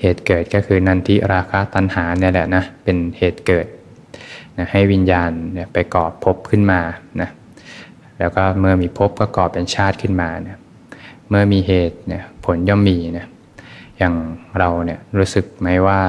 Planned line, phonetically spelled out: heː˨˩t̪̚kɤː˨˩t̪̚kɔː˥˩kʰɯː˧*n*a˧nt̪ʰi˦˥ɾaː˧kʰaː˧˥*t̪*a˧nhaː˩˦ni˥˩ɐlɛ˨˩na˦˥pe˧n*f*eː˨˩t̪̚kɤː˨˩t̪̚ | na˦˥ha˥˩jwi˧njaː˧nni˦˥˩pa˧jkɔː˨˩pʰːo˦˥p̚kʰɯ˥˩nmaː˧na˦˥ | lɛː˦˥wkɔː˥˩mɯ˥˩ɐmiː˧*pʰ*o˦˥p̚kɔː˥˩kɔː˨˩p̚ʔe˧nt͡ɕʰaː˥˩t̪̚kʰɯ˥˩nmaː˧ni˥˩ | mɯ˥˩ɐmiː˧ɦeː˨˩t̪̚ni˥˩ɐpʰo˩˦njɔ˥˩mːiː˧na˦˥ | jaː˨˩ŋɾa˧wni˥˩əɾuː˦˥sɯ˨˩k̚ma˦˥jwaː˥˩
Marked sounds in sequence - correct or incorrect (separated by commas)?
correct, correct, incorrect, correct